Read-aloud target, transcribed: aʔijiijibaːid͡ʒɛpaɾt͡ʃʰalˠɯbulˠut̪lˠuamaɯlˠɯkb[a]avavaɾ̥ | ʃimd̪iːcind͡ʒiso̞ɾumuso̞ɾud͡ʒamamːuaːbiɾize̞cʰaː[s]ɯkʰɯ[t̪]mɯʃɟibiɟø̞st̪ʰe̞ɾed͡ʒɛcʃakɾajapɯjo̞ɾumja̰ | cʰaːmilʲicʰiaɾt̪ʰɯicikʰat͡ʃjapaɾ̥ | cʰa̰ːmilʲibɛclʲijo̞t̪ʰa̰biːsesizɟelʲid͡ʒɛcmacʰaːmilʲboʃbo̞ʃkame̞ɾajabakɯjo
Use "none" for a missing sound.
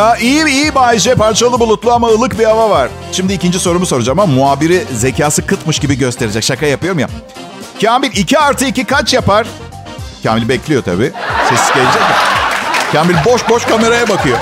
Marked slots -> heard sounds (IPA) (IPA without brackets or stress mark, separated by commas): i, s, t̪